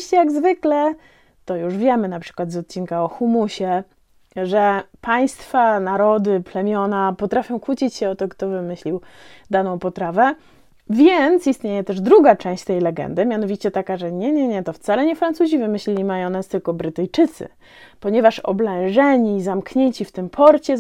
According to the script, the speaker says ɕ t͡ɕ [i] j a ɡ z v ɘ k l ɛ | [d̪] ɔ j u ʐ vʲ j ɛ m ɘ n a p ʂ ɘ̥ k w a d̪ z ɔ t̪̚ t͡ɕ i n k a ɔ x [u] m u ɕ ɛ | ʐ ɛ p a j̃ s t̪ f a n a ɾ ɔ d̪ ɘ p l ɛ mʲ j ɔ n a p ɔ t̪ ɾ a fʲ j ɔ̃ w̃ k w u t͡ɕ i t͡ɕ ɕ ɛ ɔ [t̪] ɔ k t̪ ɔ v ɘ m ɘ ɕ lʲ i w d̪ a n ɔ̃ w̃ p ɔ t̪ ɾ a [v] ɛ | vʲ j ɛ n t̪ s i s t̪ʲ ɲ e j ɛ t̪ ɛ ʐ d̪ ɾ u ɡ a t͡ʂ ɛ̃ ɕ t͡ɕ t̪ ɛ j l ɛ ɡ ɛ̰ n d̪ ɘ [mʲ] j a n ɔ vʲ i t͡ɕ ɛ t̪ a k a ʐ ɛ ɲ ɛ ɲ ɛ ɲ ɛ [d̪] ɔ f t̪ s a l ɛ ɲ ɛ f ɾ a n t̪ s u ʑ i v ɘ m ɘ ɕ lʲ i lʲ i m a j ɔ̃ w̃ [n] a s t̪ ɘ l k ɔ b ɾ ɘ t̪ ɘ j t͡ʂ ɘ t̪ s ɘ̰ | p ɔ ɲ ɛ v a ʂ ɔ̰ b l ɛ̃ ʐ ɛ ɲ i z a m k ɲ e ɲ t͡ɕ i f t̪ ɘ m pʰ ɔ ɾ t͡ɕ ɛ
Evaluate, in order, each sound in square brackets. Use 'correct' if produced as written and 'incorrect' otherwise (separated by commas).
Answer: incorrect, incorrect, correct, correct, correct, correct, incorrect, correct